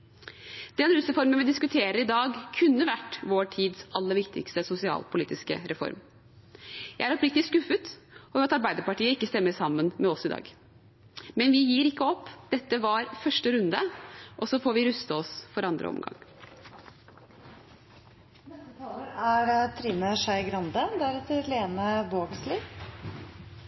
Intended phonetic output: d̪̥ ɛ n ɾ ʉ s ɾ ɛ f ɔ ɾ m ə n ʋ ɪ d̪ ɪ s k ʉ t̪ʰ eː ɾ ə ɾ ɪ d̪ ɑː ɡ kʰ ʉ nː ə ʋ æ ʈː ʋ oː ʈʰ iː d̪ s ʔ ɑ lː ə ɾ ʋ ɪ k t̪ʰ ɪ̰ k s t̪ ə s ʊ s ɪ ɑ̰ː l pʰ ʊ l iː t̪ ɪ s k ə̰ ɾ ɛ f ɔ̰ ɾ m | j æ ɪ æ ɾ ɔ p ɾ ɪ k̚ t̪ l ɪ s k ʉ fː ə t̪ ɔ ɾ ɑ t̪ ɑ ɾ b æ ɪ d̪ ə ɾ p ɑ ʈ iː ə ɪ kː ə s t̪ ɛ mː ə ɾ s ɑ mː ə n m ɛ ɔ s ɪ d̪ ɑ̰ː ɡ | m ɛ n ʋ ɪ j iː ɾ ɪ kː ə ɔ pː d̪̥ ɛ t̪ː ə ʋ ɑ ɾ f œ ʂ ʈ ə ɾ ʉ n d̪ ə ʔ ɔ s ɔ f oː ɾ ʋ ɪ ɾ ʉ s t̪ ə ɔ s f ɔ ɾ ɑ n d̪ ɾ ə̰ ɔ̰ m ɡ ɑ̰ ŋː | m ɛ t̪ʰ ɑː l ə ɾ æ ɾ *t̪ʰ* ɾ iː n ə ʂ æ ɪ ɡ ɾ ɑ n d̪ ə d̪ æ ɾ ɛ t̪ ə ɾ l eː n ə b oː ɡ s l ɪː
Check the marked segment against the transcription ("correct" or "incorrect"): correct